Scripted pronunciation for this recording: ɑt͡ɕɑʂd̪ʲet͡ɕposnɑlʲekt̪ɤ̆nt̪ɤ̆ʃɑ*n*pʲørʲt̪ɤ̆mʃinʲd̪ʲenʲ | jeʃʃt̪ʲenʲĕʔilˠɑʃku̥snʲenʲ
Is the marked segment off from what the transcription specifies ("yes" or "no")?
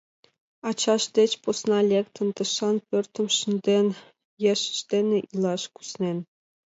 no